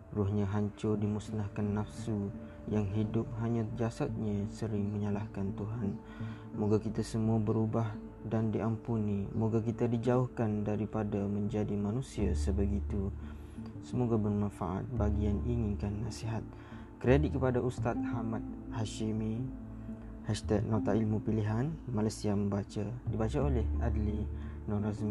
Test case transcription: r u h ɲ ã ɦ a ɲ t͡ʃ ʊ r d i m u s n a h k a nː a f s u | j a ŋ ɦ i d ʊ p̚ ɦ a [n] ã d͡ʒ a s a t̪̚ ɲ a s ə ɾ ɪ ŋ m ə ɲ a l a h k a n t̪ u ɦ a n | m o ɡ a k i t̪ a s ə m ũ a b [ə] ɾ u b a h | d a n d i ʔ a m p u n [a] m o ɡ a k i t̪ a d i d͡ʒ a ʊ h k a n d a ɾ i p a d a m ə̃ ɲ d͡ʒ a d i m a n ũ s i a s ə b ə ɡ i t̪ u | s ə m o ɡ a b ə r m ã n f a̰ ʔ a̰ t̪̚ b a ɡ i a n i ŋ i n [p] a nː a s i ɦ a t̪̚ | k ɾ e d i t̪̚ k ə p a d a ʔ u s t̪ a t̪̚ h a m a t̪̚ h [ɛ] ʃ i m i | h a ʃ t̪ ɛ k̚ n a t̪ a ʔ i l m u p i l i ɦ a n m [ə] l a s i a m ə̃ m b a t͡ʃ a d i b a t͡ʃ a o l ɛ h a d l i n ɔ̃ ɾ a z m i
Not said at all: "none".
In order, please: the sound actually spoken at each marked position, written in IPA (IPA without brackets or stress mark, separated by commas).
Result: ɲ, ə, i, k, a, a